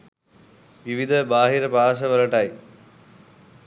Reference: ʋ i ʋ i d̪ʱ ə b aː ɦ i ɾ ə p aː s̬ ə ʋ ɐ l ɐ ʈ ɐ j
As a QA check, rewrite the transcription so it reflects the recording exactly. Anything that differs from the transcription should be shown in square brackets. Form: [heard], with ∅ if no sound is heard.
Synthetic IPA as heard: ʋ i ʋ i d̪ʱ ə b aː ɦ i ɾ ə p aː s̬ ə ʋ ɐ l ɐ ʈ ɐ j